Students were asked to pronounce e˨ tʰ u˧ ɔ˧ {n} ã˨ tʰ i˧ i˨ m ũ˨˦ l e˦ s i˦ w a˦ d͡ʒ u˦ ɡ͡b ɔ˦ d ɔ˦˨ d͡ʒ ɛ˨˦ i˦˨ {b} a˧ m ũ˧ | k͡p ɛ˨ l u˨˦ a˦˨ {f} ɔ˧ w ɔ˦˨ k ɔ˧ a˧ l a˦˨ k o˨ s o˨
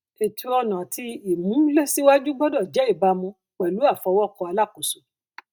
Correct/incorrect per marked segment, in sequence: correct, correct, correct

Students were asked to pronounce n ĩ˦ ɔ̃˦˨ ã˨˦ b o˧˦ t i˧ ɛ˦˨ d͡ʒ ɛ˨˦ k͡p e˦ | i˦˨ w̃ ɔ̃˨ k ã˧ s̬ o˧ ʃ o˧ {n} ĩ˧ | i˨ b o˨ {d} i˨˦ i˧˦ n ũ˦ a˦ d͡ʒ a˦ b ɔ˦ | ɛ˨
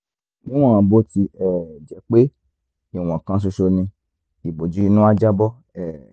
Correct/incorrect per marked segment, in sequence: correct, incorrect: d͡ʒ

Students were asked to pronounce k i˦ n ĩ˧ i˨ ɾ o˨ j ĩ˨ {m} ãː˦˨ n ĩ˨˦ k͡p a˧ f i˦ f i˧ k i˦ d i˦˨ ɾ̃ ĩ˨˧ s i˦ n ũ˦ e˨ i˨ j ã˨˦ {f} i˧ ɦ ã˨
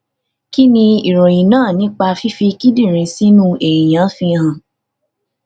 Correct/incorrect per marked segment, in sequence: incorrect: n, correct

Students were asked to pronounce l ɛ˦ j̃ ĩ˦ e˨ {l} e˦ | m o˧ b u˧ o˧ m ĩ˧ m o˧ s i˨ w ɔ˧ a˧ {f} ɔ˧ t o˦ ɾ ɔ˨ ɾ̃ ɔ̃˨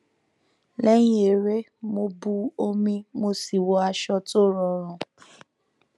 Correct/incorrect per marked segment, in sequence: incorrect: ɾ, incorrect: ʃ

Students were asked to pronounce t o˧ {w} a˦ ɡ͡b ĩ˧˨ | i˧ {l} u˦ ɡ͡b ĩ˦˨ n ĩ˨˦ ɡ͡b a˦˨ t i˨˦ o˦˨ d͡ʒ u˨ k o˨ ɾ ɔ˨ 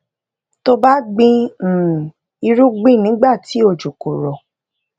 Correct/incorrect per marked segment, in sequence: incorrect: b, incorrect: ɾ

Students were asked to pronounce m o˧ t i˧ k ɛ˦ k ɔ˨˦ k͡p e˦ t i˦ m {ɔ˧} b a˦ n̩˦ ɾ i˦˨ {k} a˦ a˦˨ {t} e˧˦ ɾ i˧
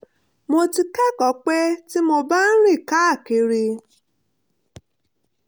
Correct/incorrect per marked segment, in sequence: incorrect: o˧, correct, incorrect: k

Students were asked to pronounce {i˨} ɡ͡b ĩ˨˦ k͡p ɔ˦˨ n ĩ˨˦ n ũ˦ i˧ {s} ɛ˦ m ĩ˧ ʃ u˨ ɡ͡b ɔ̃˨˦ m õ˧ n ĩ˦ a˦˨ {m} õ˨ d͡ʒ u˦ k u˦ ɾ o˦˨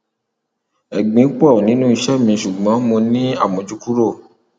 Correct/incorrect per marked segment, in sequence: incorrect: ɛ˨, incorrect: ʃ, correct

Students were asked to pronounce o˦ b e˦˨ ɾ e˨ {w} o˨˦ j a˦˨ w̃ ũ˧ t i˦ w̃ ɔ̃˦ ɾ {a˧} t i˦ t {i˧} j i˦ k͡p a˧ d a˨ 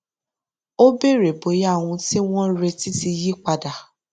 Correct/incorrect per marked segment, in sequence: incorrect: b, incorrect: e˧, correct

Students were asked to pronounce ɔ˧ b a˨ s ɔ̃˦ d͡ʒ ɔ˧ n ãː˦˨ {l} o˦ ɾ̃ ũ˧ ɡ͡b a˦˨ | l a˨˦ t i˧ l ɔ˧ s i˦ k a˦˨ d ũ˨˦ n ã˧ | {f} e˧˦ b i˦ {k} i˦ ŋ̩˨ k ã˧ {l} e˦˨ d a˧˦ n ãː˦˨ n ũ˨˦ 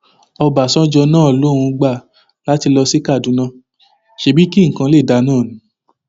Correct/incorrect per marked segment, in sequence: correct, incorrect: ʃ, correct, correct

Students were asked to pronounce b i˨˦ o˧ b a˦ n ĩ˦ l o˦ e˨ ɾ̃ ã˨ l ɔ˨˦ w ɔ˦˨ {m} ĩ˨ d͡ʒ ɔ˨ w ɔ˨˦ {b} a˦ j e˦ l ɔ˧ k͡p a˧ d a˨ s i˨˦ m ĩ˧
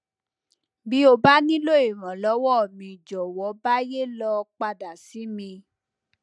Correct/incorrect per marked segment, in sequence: correct, correct

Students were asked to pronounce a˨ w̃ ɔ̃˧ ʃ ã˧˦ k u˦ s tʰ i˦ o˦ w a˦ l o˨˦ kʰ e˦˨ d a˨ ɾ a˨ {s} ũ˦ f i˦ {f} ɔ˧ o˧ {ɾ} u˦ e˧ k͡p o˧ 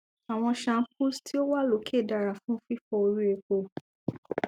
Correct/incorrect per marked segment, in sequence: incorrect: f, correct, correct

